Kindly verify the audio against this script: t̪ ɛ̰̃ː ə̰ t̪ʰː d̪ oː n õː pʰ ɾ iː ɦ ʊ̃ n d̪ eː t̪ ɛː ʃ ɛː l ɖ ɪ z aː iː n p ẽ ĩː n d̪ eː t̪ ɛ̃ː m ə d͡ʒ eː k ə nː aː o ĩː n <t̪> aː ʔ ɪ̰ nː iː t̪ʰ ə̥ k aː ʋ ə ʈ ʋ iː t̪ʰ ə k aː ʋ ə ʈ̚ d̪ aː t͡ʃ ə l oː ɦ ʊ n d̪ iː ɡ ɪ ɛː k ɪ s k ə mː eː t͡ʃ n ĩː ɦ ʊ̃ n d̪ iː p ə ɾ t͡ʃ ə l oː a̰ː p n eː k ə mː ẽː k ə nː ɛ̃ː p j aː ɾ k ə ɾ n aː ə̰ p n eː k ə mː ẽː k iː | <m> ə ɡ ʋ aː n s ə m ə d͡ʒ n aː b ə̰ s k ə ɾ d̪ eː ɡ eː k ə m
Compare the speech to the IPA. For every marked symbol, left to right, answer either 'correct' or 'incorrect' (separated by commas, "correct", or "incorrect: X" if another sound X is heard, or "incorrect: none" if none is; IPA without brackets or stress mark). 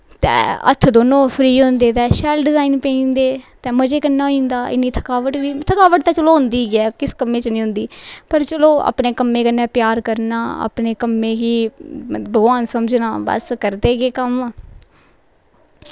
incorrect: d̪, incorrect: b